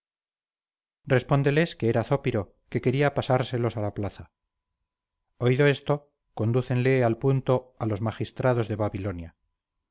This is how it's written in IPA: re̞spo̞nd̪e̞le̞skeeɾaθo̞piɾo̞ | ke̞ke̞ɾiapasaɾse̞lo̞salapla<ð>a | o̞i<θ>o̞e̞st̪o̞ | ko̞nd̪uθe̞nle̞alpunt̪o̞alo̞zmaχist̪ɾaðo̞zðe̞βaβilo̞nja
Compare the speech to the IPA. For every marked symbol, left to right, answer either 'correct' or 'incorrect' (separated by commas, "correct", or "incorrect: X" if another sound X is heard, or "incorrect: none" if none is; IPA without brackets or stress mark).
incorrect: θ, incorrect: ð